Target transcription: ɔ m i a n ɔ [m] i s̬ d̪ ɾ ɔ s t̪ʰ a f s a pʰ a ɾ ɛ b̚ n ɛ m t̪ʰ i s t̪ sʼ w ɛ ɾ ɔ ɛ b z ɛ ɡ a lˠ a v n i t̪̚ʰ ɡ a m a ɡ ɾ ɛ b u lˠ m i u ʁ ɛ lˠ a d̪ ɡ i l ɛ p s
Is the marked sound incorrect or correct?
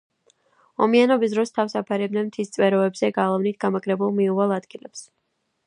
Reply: incorrect